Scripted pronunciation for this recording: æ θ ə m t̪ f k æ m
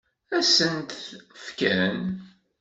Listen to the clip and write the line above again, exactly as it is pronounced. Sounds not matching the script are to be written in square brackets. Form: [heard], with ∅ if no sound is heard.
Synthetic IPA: æ [s] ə [n] t̪ f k æ [n]